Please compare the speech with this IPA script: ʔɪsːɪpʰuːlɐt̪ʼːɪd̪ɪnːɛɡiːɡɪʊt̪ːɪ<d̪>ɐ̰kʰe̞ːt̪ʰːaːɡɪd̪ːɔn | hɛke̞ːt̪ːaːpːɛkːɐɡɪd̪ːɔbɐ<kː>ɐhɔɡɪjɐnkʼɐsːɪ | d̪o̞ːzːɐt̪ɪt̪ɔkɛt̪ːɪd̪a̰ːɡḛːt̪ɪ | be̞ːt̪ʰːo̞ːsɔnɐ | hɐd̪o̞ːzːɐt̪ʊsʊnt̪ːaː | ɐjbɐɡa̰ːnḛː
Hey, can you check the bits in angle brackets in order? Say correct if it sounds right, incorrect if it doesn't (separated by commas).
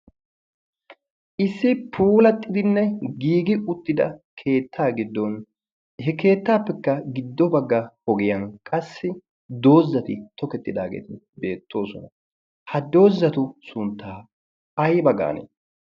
correct, incorrect